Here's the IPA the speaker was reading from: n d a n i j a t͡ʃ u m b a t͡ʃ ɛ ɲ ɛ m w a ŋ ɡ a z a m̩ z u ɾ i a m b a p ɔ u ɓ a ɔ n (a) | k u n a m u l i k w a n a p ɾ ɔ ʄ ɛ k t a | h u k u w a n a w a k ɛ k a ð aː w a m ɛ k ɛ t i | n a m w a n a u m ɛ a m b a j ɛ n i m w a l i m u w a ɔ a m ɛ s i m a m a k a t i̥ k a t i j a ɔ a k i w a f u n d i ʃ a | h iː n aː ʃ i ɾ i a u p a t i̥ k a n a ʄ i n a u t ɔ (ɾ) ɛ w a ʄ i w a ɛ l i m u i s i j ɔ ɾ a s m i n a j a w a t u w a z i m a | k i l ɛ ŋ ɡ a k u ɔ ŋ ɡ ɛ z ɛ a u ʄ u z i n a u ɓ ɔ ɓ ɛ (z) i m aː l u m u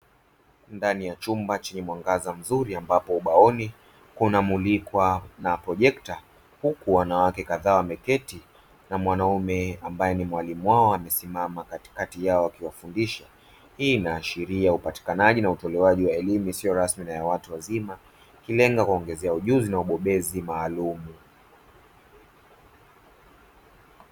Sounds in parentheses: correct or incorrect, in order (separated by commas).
incorrect, incorrect, correct